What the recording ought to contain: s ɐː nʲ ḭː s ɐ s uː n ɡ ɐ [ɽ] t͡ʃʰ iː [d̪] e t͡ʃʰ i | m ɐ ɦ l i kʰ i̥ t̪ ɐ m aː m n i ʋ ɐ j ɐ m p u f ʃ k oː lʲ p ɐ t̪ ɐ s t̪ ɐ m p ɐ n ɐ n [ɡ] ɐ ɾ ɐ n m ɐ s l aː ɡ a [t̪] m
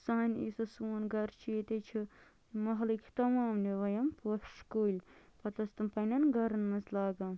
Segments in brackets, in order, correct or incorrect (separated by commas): incorrect, incorrect, correct, incorrect